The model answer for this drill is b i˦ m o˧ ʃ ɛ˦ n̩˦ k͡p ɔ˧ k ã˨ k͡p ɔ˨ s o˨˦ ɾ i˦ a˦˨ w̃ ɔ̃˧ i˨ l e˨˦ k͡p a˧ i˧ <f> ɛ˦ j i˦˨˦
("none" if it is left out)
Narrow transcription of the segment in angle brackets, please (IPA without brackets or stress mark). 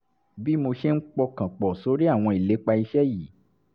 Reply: ʃ